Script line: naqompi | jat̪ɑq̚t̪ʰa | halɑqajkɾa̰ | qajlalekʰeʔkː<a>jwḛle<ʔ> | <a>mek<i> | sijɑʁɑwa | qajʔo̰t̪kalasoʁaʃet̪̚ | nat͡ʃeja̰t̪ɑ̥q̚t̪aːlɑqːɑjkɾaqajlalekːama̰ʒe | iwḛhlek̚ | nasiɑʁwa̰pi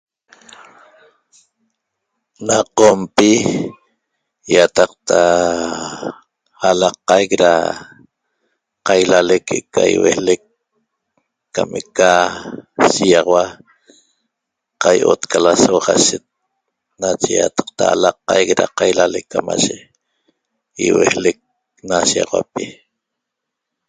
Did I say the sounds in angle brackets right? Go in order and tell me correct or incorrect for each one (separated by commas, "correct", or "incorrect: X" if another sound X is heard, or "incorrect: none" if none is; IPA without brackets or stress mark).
correct, incorrect: k, correct, incorrect: a